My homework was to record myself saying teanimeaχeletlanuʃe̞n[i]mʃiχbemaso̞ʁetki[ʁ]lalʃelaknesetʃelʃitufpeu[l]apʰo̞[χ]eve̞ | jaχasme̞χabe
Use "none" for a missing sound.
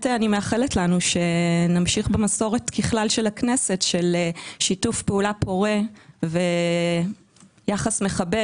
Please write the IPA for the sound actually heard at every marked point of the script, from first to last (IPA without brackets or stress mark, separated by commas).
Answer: a, χ, l, ʁ